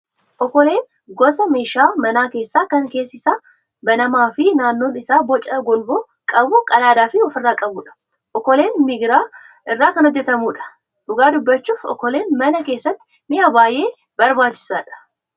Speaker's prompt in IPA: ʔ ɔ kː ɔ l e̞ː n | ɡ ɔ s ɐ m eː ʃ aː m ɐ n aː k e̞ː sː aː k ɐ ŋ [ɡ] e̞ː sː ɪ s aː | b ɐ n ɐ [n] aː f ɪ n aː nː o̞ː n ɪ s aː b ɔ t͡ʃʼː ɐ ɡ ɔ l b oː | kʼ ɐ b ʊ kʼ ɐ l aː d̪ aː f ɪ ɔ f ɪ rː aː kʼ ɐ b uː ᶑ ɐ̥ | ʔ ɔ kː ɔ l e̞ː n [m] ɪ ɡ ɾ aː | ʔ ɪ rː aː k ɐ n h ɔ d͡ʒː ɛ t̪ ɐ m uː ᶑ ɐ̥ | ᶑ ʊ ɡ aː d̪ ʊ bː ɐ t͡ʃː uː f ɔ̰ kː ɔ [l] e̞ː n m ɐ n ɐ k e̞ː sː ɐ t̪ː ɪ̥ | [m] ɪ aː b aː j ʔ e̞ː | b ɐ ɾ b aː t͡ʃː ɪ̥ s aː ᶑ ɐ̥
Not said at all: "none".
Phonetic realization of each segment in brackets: k, m, m, l, m

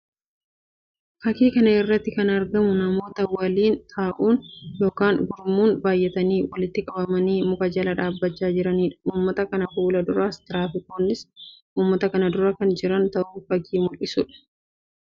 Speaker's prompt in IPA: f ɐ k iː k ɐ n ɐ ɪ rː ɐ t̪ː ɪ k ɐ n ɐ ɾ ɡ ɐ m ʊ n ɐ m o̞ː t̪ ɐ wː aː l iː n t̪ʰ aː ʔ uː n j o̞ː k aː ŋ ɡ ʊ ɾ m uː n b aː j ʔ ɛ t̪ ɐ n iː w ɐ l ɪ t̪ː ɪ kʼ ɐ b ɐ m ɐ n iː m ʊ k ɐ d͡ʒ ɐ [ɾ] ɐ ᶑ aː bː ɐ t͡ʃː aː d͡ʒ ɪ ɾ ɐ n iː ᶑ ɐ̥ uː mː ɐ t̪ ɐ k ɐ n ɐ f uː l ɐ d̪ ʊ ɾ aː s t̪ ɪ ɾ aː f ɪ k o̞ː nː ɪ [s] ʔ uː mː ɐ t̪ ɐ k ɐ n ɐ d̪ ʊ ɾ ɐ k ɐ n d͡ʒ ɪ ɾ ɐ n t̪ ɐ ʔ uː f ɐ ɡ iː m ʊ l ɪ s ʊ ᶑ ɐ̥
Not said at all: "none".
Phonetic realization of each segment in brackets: l, s

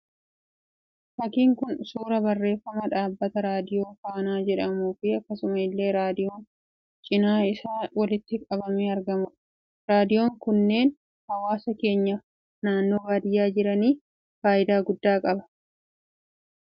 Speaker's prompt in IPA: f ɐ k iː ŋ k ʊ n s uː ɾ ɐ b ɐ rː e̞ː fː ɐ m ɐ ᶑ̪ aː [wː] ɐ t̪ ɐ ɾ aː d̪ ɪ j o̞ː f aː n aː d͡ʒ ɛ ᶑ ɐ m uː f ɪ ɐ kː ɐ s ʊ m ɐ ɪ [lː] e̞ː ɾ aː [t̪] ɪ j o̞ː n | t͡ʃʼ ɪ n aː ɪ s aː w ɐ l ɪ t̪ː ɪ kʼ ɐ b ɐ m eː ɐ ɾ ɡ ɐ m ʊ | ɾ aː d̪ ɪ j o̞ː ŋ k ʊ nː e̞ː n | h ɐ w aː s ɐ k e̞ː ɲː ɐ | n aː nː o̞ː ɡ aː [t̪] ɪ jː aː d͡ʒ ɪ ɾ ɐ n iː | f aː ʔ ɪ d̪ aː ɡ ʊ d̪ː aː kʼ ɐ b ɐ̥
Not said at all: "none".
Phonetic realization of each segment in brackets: bː, lː, d̪, d̪

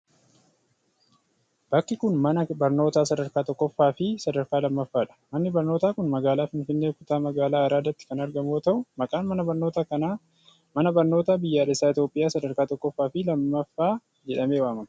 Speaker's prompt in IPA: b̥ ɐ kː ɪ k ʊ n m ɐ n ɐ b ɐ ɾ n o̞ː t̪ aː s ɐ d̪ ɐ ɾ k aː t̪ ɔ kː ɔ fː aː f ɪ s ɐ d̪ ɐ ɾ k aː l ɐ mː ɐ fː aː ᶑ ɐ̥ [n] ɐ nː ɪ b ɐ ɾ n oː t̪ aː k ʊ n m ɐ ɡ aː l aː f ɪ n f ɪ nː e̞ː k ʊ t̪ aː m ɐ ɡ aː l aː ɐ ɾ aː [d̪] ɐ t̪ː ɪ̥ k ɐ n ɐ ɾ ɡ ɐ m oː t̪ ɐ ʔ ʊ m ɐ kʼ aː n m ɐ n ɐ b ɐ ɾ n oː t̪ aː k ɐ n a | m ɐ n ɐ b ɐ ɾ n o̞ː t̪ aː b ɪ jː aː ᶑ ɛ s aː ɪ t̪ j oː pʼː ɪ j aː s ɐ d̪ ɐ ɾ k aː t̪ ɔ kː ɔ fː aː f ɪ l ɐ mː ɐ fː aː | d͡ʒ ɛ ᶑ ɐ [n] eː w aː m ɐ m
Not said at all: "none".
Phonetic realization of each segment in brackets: m, d̪, m

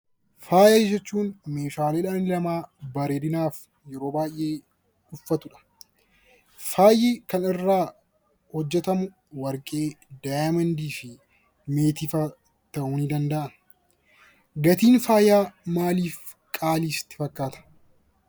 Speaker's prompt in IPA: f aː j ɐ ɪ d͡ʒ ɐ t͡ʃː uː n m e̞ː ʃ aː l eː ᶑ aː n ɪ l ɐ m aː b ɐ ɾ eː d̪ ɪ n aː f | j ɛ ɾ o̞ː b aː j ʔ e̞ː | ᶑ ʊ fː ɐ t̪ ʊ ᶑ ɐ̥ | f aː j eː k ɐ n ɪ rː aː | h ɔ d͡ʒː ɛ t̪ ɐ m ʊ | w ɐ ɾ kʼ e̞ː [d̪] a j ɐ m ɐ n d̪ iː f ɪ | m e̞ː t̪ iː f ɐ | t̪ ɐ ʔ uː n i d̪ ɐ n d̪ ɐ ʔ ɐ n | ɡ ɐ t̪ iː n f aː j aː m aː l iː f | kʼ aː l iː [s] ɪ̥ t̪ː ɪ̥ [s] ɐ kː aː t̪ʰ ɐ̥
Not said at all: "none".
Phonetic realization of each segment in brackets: d̪, s, f

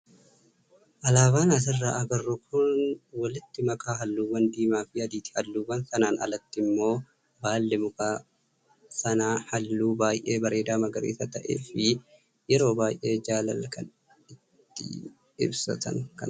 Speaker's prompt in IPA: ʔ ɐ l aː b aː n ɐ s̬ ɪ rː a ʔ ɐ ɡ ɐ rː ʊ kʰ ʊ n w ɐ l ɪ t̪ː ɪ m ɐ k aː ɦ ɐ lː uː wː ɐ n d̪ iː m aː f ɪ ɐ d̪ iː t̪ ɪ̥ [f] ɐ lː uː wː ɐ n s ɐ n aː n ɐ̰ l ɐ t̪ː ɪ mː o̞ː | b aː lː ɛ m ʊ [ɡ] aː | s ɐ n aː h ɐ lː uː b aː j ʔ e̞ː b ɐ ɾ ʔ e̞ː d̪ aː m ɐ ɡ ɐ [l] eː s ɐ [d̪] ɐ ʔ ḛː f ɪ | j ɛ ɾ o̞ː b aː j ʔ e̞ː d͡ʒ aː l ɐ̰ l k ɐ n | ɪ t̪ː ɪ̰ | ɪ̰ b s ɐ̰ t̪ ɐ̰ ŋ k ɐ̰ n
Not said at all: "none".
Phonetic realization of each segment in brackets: h, k, ɾ, t̪

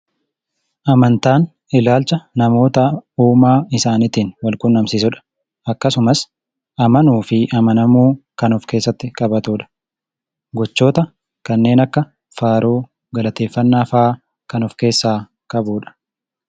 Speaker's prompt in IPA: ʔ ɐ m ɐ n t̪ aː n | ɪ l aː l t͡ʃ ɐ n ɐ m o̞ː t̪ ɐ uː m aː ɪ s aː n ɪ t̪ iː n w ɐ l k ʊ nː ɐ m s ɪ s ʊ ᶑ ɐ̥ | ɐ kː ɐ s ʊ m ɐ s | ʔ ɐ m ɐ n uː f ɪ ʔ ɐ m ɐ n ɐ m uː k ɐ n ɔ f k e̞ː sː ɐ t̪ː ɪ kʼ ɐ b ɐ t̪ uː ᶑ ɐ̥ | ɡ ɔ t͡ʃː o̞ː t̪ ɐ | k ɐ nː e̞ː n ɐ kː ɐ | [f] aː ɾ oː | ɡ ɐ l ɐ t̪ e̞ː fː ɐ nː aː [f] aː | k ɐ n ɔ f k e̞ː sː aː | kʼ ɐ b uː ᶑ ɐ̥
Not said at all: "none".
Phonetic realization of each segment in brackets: f, f

